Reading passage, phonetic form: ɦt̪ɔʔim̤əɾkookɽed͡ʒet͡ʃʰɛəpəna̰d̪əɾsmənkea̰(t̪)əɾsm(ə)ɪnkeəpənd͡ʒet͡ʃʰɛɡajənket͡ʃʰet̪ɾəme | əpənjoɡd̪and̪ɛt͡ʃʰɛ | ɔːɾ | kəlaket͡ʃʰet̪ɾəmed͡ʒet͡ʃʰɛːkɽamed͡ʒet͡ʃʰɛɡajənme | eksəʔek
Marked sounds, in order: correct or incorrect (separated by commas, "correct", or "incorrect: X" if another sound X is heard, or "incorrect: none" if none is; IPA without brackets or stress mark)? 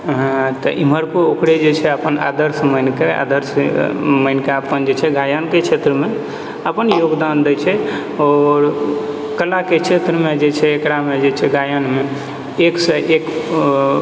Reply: incorrect: d̪, correct